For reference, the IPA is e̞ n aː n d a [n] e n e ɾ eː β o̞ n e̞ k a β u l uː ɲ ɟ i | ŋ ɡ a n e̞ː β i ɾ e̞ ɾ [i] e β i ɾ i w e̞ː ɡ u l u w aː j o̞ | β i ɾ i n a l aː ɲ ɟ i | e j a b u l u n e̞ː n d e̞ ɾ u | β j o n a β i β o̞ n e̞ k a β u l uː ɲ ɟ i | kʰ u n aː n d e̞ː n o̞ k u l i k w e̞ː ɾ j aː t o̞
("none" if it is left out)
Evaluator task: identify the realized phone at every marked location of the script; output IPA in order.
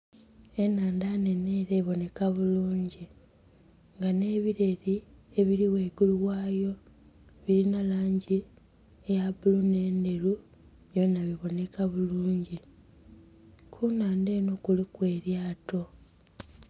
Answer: n, i

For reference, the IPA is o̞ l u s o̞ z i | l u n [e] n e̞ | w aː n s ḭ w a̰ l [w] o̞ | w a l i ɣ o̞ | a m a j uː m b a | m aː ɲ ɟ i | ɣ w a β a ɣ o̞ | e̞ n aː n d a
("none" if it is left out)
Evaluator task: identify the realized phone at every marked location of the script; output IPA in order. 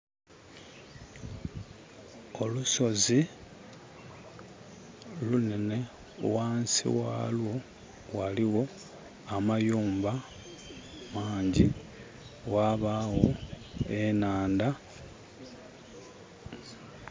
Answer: e, w

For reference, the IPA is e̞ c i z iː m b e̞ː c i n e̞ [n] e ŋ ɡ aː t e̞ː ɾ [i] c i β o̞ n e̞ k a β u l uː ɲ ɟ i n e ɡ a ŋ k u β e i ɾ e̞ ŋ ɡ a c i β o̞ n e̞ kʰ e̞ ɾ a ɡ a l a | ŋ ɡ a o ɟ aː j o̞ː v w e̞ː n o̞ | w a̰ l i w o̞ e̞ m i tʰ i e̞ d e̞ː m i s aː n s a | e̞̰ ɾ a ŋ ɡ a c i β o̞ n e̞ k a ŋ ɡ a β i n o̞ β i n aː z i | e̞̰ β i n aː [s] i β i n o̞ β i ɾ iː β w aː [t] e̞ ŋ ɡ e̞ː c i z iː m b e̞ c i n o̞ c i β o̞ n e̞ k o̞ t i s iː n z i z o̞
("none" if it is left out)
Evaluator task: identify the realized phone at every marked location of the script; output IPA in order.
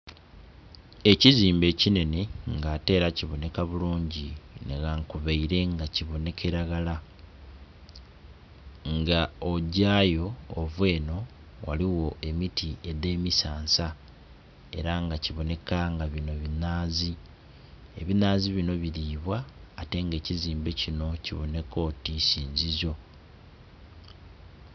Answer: n, a, z, t

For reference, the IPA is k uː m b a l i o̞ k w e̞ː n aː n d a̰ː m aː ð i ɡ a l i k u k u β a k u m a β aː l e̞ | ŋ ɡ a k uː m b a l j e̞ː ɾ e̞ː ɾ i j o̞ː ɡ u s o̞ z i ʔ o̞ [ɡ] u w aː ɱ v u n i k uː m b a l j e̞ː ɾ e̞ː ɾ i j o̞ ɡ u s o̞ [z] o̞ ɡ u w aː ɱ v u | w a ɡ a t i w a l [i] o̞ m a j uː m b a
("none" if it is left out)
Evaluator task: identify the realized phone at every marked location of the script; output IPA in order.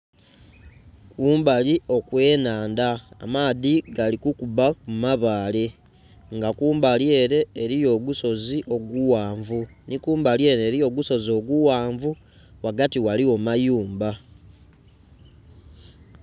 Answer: ɡ, z, i

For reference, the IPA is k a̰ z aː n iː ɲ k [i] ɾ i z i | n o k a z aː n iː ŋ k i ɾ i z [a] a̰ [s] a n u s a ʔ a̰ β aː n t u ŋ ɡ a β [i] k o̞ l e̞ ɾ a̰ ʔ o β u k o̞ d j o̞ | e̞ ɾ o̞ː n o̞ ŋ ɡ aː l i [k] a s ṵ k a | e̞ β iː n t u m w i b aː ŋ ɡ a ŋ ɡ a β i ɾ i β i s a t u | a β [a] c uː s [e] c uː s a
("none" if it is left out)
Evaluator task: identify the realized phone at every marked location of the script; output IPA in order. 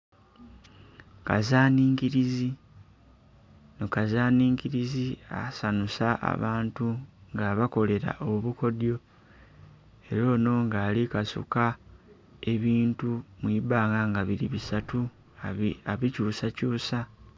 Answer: i, i, s, a, k, i, a

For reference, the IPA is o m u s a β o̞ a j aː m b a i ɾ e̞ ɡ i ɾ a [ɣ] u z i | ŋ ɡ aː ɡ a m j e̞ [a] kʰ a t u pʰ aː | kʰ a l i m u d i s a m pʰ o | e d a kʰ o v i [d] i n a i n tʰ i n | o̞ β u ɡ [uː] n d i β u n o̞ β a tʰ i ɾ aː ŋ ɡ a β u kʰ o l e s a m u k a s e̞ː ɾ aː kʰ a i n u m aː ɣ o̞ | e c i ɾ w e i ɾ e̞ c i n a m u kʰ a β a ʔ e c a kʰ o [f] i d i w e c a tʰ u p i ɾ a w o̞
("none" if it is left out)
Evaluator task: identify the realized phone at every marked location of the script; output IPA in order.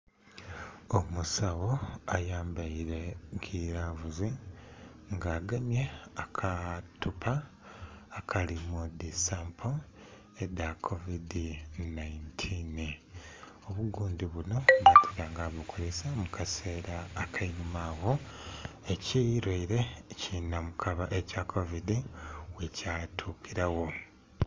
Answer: v, a, d, uː, v

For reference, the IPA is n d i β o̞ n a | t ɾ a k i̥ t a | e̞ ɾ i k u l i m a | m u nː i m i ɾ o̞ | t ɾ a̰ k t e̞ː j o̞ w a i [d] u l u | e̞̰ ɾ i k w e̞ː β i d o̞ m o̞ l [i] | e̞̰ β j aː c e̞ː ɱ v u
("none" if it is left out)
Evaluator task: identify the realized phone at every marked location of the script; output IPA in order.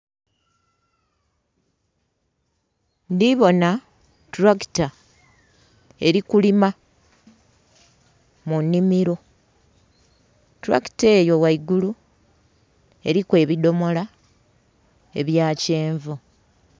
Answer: ɡ, a

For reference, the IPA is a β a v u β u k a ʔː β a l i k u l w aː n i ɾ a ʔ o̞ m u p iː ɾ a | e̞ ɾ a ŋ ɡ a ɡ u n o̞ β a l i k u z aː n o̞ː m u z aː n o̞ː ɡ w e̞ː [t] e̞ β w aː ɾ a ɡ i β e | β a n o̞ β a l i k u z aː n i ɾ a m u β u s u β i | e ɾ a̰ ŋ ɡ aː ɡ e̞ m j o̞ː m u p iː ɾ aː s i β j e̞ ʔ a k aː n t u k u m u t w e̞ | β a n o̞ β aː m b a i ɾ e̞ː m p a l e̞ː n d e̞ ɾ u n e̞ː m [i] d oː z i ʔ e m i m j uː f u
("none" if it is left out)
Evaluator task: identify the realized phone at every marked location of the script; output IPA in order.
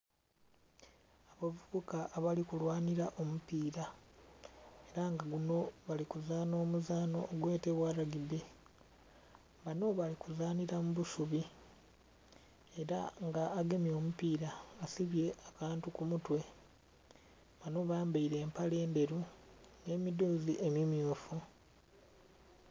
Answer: t, i

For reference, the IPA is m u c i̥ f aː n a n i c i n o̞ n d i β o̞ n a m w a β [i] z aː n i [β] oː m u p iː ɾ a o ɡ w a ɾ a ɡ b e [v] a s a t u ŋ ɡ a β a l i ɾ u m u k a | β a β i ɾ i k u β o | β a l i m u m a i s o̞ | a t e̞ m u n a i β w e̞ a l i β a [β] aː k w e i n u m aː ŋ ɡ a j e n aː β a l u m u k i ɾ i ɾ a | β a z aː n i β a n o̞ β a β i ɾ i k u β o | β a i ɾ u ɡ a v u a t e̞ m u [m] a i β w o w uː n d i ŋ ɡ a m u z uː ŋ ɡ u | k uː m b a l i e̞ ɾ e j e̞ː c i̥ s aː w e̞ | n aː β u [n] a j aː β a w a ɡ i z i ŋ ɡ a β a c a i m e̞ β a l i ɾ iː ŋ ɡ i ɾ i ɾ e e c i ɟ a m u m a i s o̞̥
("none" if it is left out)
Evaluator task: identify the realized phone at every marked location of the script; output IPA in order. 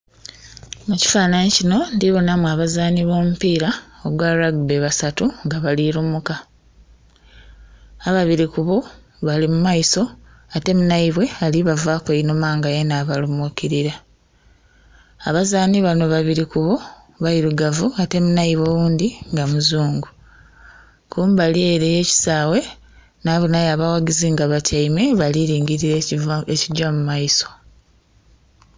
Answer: a, β, β, v, n, n

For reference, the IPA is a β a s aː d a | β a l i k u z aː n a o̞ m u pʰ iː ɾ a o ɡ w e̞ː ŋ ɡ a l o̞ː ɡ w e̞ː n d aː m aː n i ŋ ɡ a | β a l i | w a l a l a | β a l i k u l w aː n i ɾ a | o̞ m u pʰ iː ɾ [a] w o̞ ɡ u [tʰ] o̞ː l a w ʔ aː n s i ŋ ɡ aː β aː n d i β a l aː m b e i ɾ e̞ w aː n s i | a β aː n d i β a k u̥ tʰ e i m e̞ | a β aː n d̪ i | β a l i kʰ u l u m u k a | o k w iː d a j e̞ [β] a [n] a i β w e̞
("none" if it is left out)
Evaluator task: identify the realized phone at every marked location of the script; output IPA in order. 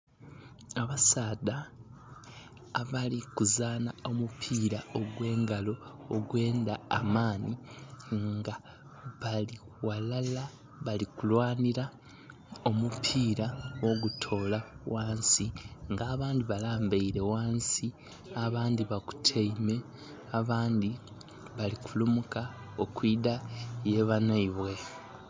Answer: a, tʰ, β, n

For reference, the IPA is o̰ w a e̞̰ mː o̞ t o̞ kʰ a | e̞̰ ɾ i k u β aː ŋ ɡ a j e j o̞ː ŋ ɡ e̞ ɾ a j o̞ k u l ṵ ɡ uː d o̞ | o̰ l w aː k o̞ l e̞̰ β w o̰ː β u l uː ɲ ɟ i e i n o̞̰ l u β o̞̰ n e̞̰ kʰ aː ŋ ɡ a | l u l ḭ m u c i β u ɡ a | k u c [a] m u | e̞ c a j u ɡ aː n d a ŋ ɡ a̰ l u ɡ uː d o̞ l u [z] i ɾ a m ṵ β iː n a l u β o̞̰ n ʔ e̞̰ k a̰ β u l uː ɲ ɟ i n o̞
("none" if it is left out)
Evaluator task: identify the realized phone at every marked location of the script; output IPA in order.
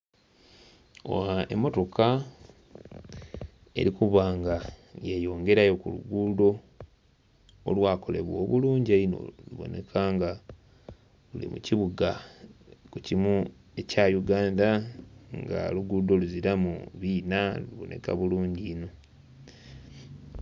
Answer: i, z

